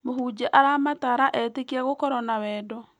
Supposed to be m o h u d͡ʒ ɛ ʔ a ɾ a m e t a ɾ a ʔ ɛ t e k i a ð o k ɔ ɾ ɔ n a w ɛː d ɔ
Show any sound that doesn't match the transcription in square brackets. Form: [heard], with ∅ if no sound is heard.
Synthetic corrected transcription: m o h u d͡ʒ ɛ ʔ a ɾ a m [a] t a ɾ a ʔ ɛ t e k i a [ɣ] o k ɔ ɾ ɔ n a w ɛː d ɔ